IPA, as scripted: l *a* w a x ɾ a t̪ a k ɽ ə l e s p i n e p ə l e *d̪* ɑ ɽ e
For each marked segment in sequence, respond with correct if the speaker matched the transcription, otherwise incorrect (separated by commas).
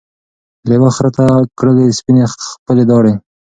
incorrect, correct